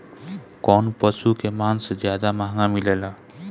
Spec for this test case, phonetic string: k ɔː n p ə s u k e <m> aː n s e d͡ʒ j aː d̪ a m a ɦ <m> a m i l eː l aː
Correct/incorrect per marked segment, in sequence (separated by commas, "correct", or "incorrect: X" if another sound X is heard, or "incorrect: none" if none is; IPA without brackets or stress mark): correct, incorrect: ŋ